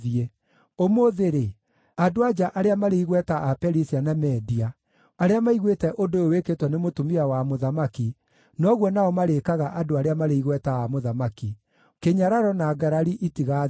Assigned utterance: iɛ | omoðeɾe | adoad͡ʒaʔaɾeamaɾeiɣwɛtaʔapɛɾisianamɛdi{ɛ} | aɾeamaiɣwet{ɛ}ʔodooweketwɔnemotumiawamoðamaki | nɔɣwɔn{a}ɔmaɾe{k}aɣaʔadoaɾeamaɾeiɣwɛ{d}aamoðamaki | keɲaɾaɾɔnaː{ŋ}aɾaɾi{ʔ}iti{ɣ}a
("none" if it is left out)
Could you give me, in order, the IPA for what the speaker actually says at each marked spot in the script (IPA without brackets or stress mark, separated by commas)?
a, ɛ, a, k, t, ɡ, ʔ, ɣ